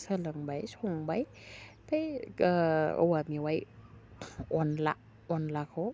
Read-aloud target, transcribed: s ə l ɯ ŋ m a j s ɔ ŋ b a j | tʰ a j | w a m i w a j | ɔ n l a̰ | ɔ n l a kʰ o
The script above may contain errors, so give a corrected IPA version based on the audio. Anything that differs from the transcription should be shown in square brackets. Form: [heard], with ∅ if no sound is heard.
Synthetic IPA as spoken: s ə l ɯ ŋ [b] a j s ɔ ŋ b a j | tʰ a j | w a m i w a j | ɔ n l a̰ | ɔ n l a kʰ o